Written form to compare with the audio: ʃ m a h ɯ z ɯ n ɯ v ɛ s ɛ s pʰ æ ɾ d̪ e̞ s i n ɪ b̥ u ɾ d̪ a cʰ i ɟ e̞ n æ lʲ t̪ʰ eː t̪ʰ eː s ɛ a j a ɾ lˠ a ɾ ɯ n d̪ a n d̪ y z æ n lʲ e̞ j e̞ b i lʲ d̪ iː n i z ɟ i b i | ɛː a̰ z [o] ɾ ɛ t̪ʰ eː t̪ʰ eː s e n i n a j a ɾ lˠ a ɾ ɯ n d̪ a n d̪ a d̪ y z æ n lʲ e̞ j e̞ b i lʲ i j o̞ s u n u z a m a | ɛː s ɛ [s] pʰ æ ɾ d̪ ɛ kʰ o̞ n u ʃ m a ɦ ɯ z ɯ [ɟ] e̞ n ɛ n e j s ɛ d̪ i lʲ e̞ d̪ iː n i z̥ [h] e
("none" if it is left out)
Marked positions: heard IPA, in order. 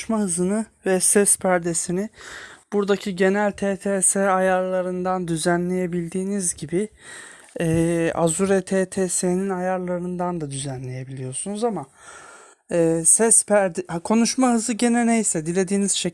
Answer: u, s, ɟ, ʃ

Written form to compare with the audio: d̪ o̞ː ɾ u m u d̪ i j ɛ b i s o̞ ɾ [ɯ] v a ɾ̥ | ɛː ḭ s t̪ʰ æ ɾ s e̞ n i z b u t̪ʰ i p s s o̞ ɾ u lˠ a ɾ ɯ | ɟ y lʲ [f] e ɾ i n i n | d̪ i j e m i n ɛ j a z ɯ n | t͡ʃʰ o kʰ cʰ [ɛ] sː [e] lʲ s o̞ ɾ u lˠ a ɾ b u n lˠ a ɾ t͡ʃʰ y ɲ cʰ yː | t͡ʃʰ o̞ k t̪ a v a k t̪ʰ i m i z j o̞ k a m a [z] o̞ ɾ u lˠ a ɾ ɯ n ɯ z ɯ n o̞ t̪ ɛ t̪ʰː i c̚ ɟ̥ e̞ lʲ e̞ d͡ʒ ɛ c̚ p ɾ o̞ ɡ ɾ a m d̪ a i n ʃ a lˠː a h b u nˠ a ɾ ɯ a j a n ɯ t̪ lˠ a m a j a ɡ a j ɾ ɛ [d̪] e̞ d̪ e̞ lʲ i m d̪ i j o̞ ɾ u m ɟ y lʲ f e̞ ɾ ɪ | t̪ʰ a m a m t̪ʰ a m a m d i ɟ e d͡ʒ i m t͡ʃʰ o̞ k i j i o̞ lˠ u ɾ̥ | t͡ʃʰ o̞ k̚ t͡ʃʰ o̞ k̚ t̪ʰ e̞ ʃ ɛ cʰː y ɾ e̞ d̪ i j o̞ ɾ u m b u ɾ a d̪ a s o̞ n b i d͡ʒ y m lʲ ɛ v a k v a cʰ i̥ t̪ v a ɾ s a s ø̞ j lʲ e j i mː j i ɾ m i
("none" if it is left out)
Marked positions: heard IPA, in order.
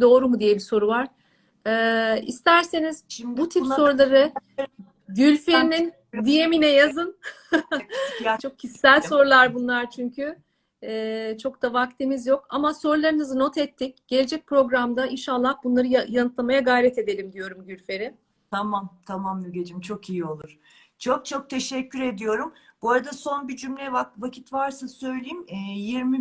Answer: u, f, i, æ, s, t̪

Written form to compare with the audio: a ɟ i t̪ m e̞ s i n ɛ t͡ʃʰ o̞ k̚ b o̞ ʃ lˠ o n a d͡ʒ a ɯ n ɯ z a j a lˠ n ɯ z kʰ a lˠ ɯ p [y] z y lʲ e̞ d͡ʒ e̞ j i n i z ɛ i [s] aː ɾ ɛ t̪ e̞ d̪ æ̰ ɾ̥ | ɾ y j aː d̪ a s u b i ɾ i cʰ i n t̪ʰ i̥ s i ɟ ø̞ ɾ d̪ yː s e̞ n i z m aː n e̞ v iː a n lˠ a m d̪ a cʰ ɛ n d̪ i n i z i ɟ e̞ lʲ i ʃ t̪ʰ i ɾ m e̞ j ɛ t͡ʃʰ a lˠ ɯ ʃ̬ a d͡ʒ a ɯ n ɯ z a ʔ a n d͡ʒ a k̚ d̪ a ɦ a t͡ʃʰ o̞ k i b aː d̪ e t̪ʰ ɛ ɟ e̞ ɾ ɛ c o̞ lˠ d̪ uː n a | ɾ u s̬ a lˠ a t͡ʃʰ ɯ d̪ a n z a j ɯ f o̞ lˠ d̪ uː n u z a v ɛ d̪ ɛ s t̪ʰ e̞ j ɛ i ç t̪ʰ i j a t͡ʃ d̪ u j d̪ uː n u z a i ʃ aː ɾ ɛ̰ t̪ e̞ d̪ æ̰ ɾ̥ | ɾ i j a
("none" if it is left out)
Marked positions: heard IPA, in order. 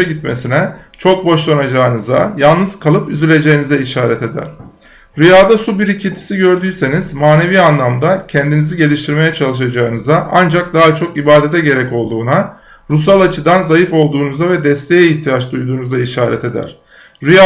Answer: y, ʃ

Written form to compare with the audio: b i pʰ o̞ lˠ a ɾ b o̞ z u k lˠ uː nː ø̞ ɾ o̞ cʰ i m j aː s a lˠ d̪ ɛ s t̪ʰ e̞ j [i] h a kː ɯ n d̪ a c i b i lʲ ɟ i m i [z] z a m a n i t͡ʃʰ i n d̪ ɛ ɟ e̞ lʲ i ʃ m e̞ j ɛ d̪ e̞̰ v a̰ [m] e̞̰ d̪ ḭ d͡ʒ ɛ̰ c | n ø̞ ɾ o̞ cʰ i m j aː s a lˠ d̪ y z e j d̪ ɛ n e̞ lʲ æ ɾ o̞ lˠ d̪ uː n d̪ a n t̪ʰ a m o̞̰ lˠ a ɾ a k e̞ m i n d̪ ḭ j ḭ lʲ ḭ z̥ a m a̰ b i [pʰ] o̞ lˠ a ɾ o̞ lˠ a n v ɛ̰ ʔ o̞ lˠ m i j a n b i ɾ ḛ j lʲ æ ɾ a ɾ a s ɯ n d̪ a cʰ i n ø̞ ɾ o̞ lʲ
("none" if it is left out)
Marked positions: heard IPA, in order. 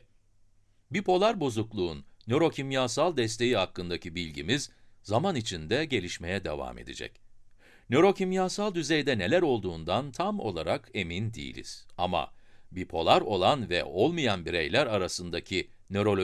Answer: i, z, m, pʰ

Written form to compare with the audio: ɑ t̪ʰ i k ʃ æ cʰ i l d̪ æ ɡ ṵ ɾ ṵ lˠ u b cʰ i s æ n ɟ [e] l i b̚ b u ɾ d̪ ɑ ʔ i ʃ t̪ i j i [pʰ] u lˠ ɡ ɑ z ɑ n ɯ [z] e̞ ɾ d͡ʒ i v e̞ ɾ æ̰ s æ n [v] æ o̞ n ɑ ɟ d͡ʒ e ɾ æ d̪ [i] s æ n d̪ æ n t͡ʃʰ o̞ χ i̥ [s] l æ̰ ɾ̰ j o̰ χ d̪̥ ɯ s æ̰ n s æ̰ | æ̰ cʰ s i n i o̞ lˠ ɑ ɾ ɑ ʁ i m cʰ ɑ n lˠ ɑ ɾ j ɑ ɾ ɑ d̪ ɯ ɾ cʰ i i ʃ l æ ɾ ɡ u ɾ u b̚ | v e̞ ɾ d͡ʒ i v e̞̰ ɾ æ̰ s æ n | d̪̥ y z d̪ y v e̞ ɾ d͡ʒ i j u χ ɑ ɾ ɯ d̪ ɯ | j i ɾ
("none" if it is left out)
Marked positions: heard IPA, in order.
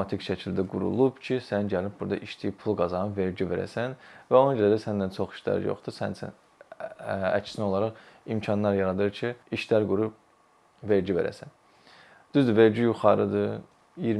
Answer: æ, pʰ, v, v, æ, ʃ

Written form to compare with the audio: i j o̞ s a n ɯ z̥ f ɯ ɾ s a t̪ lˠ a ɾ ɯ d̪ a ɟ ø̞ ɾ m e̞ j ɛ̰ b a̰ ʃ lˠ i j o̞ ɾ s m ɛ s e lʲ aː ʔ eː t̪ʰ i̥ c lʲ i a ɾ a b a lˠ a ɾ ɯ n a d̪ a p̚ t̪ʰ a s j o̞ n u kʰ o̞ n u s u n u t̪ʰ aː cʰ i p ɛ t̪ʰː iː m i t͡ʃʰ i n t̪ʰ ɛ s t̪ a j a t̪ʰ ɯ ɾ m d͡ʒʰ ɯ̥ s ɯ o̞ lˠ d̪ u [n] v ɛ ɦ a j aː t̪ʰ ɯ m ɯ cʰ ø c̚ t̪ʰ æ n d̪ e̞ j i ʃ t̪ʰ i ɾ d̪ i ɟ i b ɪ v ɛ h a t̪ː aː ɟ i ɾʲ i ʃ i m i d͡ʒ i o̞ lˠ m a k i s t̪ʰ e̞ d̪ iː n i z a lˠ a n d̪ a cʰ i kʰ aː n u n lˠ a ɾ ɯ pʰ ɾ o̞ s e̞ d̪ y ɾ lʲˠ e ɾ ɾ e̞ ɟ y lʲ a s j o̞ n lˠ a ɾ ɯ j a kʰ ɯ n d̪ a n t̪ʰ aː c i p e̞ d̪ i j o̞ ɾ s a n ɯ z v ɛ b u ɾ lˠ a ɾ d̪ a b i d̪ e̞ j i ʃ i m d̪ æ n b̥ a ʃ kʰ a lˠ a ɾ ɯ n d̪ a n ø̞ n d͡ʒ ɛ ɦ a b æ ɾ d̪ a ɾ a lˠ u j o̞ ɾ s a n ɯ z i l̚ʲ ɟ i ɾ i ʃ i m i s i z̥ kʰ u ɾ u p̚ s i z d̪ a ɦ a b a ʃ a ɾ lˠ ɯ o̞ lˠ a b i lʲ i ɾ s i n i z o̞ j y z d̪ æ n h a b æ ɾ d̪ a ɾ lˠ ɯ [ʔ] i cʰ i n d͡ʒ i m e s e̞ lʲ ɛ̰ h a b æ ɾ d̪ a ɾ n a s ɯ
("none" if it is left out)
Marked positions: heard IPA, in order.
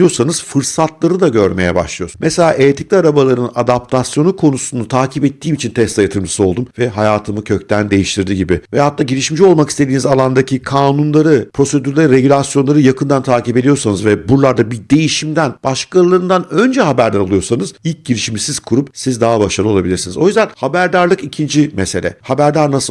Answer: m, k

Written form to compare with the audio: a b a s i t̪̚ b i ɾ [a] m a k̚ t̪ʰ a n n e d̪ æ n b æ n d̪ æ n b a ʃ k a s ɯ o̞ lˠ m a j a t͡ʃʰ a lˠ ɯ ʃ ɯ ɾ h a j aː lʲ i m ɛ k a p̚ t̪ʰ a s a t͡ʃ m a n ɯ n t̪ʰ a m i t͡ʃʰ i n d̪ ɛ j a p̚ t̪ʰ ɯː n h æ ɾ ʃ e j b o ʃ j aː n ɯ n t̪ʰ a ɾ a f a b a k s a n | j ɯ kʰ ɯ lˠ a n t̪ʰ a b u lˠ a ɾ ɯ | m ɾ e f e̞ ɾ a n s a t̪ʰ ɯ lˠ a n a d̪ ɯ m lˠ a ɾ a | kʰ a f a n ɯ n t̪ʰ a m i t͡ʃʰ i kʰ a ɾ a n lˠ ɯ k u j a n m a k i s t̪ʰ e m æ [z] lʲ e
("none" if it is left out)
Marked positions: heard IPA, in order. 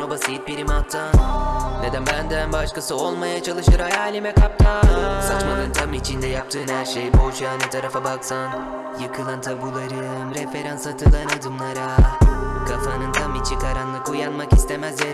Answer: i, z

